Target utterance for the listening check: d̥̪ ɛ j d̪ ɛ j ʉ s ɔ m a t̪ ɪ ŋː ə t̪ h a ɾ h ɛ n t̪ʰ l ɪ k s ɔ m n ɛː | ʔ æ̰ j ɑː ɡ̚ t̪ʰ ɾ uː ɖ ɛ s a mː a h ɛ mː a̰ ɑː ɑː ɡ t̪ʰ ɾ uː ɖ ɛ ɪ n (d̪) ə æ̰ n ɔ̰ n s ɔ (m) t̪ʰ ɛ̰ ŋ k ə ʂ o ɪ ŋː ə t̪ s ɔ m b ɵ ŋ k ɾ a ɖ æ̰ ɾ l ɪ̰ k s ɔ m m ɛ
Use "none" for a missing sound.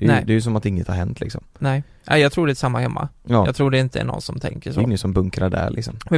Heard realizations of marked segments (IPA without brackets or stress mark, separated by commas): t̪, m